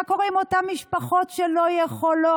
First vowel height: mid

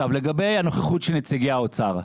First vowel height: low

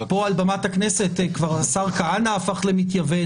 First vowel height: mid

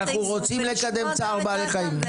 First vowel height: low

